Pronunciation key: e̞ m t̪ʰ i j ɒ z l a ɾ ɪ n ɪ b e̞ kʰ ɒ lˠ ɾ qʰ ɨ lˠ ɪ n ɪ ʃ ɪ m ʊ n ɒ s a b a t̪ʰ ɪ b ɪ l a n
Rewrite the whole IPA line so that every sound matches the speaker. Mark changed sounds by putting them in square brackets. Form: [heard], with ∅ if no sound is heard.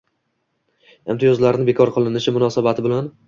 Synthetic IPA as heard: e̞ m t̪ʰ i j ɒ z l a ɾ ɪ n ɪ b e̞ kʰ ɒ [∅] ɾ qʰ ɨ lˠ ɪ n ɪ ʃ ɪ m ʊ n ɒ s a b a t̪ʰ ɪ b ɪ l a n